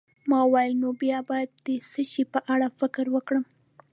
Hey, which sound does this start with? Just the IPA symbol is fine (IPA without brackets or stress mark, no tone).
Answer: m